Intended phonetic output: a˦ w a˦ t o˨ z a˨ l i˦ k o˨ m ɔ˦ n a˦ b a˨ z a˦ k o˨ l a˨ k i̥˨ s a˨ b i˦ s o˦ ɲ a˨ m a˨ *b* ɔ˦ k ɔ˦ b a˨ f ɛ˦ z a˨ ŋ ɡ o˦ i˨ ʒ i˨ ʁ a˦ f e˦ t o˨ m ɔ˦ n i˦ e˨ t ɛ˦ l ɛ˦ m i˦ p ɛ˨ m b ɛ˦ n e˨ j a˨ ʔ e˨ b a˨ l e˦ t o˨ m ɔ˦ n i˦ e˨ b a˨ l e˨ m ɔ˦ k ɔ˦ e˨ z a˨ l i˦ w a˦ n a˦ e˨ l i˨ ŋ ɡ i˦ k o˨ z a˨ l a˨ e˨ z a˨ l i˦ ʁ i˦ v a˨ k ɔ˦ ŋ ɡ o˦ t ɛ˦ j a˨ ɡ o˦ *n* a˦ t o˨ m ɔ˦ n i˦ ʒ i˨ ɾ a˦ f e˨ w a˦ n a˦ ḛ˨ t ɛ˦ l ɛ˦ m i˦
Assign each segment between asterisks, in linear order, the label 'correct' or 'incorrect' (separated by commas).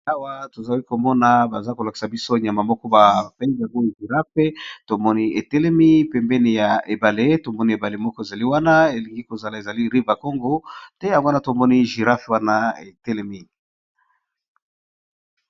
incorrect, correct